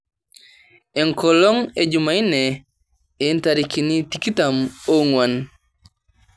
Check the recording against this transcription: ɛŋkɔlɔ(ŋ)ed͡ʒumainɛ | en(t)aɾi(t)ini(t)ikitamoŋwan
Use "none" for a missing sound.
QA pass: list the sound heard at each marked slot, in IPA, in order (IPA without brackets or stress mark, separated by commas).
ŋ, t, k, t